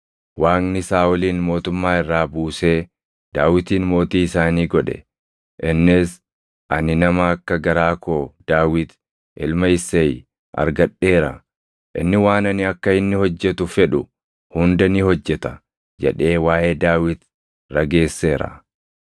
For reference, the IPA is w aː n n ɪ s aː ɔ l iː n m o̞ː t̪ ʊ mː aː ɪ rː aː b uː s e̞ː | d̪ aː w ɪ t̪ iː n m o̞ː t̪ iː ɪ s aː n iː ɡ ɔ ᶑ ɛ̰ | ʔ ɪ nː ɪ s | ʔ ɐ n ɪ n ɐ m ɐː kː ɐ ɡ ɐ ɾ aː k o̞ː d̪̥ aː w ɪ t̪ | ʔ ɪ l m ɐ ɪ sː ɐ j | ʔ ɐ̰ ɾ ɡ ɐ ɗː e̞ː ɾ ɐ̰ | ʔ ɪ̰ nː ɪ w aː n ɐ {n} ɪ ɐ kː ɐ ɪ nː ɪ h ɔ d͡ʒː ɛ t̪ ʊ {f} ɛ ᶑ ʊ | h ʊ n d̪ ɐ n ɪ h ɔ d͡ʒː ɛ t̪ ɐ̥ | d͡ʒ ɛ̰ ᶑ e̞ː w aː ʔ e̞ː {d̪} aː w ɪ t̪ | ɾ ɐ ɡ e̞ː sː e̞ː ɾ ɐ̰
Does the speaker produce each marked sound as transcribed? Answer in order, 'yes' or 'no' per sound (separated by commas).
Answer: yes, yes, yes